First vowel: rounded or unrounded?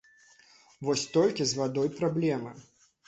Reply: rounded